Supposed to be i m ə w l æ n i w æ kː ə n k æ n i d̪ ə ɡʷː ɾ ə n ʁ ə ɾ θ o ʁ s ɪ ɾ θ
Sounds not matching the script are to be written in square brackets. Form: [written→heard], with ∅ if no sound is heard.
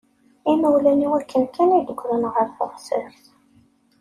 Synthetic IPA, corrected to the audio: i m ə w l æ n i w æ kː ə n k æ n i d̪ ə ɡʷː ɾ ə n ʁ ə ɾ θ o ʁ s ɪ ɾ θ